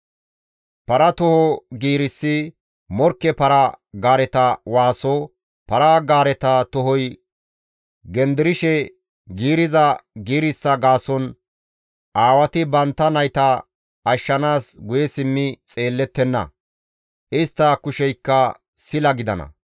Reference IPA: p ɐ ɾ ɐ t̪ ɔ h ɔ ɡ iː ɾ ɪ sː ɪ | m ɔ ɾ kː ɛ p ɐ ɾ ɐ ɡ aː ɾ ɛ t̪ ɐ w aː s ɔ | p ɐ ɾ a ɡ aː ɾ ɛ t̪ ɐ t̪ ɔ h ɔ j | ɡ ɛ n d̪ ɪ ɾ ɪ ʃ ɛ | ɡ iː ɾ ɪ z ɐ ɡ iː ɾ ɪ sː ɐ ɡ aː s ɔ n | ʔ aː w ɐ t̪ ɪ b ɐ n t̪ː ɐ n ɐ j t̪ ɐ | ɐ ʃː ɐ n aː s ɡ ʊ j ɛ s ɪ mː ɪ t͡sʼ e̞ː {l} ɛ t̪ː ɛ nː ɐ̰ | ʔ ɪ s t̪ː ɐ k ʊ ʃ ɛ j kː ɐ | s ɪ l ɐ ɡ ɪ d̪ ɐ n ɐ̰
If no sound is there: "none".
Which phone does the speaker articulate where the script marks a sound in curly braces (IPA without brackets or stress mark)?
lː